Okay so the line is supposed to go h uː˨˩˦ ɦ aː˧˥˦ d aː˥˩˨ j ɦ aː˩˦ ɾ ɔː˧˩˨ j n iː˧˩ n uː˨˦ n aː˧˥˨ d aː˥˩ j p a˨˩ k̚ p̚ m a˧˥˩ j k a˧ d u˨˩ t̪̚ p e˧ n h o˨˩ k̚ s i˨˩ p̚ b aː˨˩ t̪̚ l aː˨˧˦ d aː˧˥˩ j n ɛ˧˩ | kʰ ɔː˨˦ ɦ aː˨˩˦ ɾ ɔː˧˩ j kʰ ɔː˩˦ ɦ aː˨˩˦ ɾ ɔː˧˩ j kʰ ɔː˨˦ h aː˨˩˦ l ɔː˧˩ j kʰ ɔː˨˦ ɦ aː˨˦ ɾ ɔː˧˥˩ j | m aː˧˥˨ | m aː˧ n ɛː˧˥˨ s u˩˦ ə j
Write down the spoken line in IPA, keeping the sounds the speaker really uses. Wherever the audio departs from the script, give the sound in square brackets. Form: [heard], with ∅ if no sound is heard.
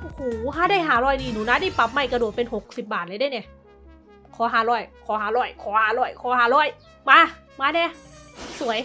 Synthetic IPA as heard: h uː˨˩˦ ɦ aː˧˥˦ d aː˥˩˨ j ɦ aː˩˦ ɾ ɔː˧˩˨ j n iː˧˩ n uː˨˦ n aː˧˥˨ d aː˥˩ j p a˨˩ [∅] p̚ m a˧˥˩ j k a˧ d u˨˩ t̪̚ p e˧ n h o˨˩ k̚ s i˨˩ p̚ b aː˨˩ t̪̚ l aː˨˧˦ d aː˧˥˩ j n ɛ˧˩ | kʰ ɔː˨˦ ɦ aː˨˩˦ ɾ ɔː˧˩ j kʰ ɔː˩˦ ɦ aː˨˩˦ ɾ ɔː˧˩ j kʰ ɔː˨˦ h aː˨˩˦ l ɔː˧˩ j kʰ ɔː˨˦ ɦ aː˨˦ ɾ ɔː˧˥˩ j | m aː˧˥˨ | m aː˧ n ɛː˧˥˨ s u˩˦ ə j